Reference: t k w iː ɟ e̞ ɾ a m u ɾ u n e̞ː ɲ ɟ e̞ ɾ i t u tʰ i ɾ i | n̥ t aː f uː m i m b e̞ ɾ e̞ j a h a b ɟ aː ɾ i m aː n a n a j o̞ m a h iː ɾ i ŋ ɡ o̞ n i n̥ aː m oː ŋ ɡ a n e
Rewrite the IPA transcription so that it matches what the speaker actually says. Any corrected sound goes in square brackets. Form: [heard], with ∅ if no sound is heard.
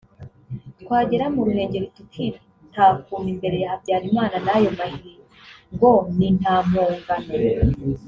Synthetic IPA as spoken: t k w [aː] ɟ e̞ ɾ a m u ɾ u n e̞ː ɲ ɟ e̞ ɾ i t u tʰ i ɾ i | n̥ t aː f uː m i m b e̞ ɾ e̞ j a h a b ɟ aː ɾ i m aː n a n a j o̞ m a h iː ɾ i ŋ ɡ o̞ n i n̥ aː m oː ŋ ɡ a n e